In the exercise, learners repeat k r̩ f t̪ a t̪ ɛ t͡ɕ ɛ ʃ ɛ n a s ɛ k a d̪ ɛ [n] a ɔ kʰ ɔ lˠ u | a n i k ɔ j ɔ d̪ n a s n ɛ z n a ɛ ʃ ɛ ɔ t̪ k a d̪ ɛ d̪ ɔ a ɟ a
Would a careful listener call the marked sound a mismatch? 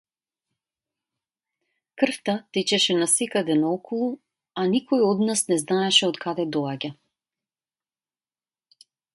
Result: no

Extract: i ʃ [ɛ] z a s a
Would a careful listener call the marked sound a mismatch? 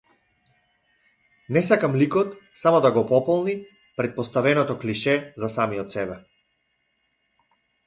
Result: no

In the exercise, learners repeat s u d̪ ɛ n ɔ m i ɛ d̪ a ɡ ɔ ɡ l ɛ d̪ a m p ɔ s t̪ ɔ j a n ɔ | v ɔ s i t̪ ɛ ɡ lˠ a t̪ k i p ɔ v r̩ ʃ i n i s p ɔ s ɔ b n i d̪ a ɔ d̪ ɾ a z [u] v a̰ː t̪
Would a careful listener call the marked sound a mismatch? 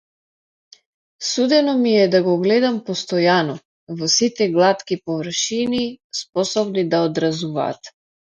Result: no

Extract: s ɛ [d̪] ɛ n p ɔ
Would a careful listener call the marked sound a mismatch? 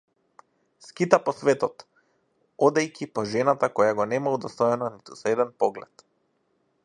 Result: no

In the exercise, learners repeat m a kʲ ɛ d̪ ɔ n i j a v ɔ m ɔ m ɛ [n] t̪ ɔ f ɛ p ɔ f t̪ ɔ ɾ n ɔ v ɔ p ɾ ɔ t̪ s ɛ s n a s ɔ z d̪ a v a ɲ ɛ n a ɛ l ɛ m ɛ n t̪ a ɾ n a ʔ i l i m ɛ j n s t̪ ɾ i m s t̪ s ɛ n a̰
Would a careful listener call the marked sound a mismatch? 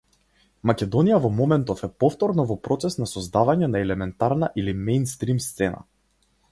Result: no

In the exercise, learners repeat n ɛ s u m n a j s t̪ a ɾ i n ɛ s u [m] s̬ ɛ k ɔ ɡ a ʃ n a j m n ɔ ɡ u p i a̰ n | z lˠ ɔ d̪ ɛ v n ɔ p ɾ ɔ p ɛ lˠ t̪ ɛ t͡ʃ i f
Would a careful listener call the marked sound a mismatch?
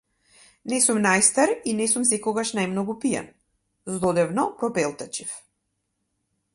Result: no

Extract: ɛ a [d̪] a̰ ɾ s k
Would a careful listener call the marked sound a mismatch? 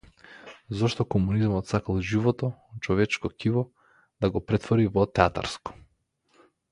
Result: yes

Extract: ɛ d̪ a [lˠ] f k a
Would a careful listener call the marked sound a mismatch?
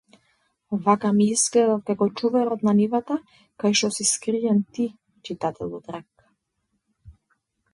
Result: yes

